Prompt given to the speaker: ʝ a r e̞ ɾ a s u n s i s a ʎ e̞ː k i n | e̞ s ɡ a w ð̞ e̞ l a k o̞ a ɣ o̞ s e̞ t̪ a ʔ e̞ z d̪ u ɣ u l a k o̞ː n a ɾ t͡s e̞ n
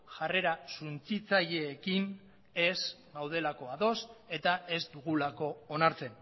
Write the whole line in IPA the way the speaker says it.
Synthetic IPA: ʝ a r e̞ ɾ a s u n t͡s i t͡s a ʎ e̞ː k i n | e̞ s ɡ a w ð̞ e̞ l a k o̞ a ð o̞ s e̞ t̪ a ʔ e̞ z d̪ u ɣ u l a k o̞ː n a ɾ t͡s e̞ n